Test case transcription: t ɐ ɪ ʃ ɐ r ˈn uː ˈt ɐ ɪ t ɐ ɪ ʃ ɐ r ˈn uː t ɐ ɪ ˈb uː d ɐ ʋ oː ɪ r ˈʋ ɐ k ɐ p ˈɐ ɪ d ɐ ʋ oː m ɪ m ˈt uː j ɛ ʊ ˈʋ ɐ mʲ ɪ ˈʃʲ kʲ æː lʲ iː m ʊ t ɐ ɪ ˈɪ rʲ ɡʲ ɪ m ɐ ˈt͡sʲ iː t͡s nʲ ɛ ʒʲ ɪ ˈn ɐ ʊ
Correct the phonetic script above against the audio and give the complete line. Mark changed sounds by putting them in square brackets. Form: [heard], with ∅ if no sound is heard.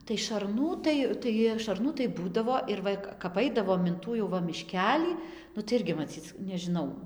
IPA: t ɐ ɪ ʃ ɐ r ˈn uː ˈt ɐ ɪ t ɐ ɪ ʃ ɐ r ˈn uː t ɐ ɪ ˈb uː d ɐ ʋ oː ɪ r ˈʋ ɐ k ɐ p ˈɐ ɪ d ɐ ʋ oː m ɪ [n] ˈt uː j ɛ ʊ ˈʋ ɐ mʲ ɪ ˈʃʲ kʲ æː lʲ iː [n] ʊ t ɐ ɪ ˈɪ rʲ ɡʲ ɪ m ɐ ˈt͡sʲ iː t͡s nʲ ɛ ʒʲ ɪ ˈn ɐ ʊ

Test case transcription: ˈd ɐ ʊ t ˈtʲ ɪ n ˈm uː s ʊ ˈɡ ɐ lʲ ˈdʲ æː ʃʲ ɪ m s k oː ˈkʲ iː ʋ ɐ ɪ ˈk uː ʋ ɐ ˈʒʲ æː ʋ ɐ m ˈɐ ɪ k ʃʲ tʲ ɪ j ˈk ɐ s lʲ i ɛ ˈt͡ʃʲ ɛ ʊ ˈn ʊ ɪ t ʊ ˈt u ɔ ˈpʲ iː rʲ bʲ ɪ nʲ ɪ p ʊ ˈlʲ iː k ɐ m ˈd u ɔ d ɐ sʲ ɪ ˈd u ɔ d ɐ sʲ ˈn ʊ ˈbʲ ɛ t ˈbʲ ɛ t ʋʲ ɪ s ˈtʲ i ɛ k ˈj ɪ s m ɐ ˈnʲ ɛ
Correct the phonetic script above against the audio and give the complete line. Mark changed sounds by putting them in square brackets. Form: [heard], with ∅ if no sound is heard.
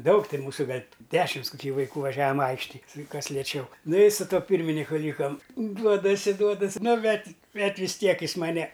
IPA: ˈd ɐ ʊ [k] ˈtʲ ɪ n ˈm uː s ʊ ˈɡ ɐ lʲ ˈdʲ æː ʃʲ ɪ m s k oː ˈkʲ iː ʋ ɐ ɪ ˈk uː ʋ ɐ ˈʒʲ æː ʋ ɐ m ˈɐ ɪ k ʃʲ tʲ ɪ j ˈk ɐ s lʲ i ɛ ˈt͡ʃʲ ɛ ʊ ˈn ʊ ɪ [s] ʊ ˈt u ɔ ˈpʲ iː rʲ [mʲ] ɪ nʲ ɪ [k] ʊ ˈlʲ iː k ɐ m ˈd u ɔ d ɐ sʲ ɪ ˈd u ɔ d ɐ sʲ ˈn ʊ ˈbʲ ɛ t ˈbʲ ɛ t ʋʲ ɪ s ˈtʲ i ɛ k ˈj ɪ s m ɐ ˈnʲ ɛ

